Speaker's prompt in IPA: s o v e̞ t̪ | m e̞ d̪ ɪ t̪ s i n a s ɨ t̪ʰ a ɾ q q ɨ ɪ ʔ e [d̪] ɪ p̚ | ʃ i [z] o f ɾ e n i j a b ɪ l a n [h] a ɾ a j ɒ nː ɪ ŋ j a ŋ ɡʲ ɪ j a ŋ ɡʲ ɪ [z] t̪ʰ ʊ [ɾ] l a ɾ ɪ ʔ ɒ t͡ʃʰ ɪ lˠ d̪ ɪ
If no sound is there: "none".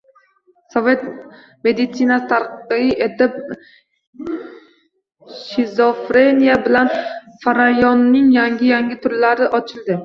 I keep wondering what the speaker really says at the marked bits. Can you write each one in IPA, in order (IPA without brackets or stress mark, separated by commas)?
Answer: t̪, z, f, none, ɾ